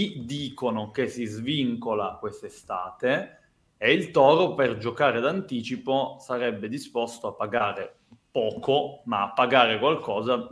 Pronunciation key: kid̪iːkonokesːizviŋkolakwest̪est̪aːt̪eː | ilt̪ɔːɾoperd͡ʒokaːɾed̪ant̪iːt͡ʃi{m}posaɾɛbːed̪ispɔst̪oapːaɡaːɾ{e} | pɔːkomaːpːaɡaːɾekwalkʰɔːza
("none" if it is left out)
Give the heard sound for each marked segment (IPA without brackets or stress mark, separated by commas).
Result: none, e